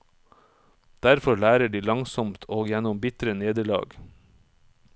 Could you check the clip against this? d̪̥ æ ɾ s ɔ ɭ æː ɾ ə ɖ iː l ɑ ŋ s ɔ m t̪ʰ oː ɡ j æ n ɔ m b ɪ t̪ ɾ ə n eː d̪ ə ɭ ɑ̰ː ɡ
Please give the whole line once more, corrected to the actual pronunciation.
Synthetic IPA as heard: d̪̥ æ ɾ f ɔ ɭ æː ɾ ə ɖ iː l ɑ ŋ s ɔ m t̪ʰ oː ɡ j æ n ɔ m b ɪ t̪ ɾ ə n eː d̪ ə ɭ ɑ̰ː ɡ